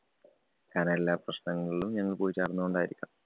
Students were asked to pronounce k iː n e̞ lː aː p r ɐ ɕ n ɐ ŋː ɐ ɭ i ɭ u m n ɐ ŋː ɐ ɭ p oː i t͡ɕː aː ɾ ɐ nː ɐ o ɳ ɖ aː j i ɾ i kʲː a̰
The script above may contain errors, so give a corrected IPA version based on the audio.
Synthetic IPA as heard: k aː n e̞ lː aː p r ɐ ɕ n ɐ ŋː ɐ ɭ i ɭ u m ɲ ɐ ŋː ɐ ɭ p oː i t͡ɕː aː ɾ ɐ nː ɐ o ɳ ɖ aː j i ɾ i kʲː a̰